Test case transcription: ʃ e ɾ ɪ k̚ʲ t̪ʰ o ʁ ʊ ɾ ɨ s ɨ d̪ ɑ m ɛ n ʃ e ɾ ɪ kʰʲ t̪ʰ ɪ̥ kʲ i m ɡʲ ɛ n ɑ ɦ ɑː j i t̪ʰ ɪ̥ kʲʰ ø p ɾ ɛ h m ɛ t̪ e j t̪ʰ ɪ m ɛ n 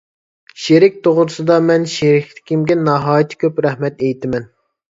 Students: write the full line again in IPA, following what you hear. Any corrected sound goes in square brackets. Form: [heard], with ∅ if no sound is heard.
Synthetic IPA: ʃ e ɾ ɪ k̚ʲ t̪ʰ o ʁ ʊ ɾ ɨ s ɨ d̪ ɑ m ɛ n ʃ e ɾ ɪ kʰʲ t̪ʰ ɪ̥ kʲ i m ɡʲ ɛ n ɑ ɦ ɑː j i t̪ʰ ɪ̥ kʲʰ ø p ɾ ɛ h m ɛ t̪ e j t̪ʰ ɪ m ɛ n